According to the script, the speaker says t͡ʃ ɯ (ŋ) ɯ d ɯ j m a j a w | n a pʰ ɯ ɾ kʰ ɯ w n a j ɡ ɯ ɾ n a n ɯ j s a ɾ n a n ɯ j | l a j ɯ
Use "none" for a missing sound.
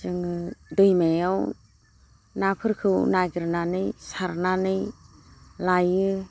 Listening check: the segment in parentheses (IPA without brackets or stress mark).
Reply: ŋ